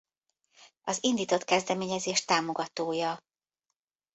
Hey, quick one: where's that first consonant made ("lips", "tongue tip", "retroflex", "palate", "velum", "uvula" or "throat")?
tongue tip